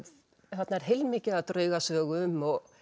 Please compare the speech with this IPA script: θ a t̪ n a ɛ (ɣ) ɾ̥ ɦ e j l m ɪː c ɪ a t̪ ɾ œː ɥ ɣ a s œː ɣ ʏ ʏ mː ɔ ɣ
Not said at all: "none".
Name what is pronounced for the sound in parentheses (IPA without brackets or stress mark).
none